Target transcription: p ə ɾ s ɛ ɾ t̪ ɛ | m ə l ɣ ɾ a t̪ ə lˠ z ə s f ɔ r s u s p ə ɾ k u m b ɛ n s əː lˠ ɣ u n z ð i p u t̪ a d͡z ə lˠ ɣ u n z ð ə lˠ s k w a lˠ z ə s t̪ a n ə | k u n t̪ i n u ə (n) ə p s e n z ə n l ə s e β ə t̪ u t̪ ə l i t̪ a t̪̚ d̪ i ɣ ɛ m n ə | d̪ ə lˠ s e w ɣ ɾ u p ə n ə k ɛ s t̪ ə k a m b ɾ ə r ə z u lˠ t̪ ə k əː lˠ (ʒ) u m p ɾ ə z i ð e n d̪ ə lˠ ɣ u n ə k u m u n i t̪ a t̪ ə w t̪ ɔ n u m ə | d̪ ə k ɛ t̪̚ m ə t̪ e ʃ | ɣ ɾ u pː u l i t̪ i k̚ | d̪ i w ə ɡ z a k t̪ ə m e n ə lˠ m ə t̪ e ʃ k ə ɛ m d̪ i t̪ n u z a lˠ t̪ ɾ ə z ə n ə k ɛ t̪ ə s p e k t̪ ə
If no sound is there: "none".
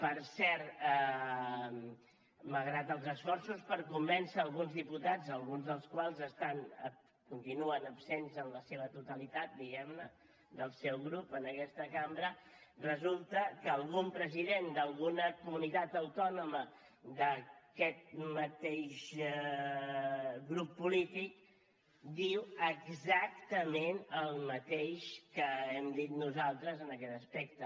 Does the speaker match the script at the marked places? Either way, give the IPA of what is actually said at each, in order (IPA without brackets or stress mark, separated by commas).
n, ɣ